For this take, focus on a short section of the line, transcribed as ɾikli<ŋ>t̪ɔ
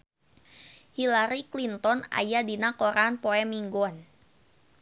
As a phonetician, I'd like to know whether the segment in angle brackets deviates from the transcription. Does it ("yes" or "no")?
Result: yes